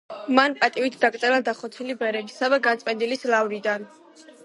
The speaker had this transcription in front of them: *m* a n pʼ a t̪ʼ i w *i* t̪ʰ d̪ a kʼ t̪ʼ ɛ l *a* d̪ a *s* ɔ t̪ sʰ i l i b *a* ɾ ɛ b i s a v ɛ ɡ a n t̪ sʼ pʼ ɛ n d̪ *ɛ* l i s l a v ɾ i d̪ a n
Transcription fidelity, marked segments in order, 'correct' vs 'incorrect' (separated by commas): correct, correct, correct, incorrect, incorrect, incorrect